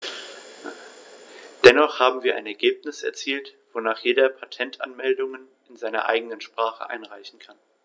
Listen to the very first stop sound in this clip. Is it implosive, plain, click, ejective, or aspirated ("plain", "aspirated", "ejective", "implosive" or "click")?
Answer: plain